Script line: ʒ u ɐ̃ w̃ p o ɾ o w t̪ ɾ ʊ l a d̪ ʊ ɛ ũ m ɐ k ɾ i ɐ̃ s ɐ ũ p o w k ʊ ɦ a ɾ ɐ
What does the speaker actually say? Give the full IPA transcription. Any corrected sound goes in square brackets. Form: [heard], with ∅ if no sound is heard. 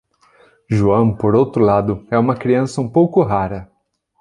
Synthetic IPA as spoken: ʒ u ɐ̃ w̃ p o ɾ o w t̪ ɾ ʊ l a d̪ ʊ ɛ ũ m ɐ k ɾ i ɐ̃ s ɐ ũ p o w k ʊ ɦ a ɾ ɐ